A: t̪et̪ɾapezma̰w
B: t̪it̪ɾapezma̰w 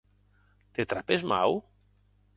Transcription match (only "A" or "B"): A